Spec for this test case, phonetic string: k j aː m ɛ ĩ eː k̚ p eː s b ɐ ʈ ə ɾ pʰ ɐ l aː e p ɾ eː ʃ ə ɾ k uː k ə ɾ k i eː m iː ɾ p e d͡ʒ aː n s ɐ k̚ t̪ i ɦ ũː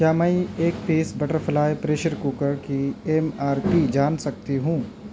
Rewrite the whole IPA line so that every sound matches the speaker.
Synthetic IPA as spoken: k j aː m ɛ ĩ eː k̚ p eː s b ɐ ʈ ə ɾ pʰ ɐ l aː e p ɾ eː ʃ ə ɾ k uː k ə ɾ k i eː m aː ɾ p i d͡ʒ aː n s ɐ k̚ t̪ i ɦ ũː